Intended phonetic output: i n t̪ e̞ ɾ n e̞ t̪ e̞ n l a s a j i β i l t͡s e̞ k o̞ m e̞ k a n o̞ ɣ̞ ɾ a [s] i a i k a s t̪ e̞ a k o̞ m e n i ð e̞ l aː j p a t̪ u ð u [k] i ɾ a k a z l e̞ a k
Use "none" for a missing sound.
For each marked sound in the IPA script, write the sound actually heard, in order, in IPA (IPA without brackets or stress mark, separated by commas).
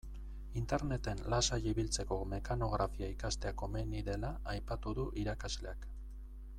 f, ʔ